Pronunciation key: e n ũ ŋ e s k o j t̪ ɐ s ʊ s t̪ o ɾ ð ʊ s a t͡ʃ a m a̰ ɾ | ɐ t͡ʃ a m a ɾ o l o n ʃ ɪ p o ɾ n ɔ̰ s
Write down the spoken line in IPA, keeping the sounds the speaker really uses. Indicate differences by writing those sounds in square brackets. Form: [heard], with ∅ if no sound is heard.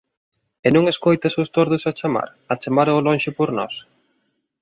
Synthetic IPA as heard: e n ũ ŋ e s k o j t̪ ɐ s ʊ s t̪ o ɾ ð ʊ s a t͡ʃ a m a̰ ɾ | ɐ t͡ʃ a m a ɾ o l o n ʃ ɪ p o ɾ n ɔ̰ s